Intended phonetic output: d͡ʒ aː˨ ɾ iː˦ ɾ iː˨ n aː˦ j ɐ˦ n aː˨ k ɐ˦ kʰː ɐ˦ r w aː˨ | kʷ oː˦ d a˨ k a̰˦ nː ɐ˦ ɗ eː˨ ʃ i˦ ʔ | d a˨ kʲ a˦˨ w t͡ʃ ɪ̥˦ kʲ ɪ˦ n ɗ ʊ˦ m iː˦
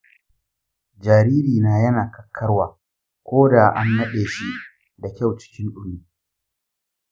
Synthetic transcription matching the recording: d͡ʒ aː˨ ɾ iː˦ ɾ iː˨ n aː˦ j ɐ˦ n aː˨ k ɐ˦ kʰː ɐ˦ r w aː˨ | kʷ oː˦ d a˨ ʔ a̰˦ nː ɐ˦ ɗ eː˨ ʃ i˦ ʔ | d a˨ kʲ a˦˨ w t͡ʃ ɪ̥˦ kʲ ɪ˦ n ɗ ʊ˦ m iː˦